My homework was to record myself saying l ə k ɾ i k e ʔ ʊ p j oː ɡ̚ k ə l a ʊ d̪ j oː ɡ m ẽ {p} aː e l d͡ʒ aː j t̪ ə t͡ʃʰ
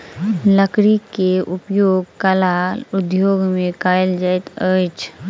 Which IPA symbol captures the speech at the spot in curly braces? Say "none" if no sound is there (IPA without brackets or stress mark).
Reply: k